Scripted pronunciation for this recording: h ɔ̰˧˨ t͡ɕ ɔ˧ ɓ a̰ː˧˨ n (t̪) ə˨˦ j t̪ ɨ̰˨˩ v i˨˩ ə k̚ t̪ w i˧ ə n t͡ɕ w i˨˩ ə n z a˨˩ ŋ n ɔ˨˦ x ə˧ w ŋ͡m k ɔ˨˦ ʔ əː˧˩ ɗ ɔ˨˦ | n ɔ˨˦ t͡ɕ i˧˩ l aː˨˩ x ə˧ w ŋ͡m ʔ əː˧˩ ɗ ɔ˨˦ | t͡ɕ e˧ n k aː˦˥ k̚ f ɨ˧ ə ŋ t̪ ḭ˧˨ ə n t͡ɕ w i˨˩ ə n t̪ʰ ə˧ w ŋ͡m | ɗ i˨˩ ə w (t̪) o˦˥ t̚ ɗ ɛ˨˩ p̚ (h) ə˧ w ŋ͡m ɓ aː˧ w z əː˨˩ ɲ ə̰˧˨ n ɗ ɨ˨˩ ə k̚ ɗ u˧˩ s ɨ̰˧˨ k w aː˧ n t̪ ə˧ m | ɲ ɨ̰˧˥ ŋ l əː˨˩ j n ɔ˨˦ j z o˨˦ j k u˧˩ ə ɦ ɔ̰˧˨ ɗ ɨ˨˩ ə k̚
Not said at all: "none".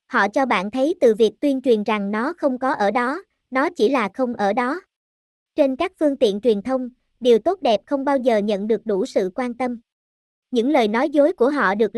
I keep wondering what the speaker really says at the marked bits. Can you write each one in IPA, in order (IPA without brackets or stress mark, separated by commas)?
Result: t̪ʰ, t̪, x